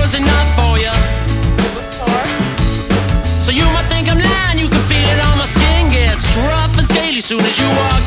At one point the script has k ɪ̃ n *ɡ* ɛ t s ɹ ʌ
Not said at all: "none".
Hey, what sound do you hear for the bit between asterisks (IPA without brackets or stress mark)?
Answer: ɡ